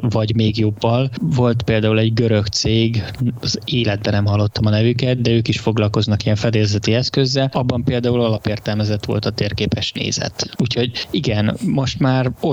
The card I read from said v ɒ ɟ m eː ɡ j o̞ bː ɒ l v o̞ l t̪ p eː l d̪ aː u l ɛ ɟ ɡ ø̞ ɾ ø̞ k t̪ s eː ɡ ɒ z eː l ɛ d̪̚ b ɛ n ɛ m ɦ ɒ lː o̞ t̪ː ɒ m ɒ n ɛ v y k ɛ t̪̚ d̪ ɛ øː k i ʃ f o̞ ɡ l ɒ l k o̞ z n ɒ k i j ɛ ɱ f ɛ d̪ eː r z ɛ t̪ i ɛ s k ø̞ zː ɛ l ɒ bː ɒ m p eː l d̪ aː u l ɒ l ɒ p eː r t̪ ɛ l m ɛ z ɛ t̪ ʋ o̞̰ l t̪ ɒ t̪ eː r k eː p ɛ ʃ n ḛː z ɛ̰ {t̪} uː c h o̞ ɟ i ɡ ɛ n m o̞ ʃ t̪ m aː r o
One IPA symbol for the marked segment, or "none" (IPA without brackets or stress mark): t̪